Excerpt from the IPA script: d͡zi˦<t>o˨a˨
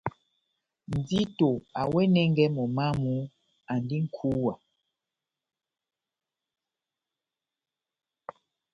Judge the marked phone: correct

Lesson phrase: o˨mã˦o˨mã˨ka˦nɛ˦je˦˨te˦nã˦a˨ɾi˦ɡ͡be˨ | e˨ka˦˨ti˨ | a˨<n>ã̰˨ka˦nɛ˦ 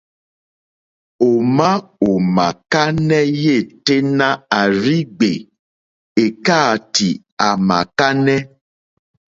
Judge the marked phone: incorrect: m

